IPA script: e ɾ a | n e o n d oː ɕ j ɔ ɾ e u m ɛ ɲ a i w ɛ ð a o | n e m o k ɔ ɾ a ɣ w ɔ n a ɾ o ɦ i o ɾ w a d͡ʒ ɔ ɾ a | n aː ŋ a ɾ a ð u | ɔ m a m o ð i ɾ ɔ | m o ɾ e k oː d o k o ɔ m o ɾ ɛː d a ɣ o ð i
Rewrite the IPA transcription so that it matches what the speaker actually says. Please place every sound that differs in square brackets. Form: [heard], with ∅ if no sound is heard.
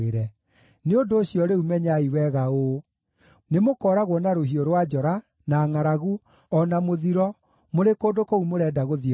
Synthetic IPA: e ɾ [ɛ] | n e o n d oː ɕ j ɔ ɾ e u m ɛ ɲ a i w ɛ [ɣ] a o | n e m o k ɔ ɾ a ɣ w ɔ n a ɾ o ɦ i o ɾ w a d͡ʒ ɔ ɾ a | n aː ŋ a ɾ a [ɣ] u | ɔ [n] a m o ð i ɾ ɔ | m o ɾ e k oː d o k o [u] m o ɾ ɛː d a ɣ o ð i